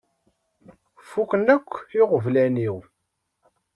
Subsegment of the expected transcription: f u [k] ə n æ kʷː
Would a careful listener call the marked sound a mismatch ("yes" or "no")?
no